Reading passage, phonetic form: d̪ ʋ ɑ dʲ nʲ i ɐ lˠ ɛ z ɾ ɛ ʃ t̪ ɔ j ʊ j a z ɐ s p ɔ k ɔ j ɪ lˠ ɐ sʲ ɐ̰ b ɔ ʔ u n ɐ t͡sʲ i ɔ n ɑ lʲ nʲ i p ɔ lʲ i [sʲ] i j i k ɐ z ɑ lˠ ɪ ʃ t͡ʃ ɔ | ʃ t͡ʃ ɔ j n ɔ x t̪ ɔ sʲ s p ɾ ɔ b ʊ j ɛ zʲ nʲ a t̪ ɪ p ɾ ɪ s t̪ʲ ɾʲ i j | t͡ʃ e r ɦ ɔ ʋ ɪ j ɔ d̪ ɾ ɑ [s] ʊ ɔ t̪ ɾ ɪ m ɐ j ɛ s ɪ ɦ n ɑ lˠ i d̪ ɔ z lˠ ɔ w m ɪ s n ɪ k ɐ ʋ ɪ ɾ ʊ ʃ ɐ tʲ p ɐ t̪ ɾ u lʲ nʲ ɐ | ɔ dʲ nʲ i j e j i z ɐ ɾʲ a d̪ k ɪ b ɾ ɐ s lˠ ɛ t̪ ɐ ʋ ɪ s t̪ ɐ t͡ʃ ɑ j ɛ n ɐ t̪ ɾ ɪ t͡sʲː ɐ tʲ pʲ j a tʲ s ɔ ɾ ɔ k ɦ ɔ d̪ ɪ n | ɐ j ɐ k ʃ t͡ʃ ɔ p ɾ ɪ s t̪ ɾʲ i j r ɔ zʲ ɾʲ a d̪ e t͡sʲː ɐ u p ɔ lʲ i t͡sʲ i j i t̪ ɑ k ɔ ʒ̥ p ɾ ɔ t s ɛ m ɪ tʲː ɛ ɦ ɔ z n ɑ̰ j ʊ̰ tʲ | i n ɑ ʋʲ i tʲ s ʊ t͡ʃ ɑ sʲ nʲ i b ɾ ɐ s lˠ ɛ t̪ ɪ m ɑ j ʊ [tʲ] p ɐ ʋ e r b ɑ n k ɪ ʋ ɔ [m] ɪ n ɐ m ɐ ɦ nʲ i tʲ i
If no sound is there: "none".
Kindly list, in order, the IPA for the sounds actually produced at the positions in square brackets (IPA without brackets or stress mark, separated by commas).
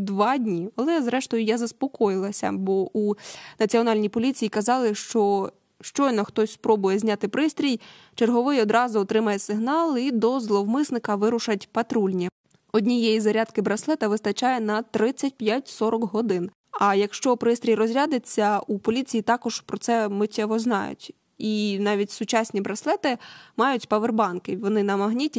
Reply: t͡sʲ, z, tʲ, n